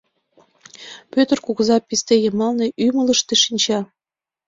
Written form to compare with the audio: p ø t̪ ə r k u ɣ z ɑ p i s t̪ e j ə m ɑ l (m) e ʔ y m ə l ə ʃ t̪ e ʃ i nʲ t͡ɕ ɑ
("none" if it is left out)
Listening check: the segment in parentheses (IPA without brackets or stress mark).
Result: n